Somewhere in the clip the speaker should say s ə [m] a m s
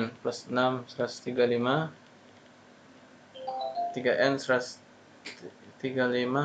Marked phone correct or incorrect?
incorrect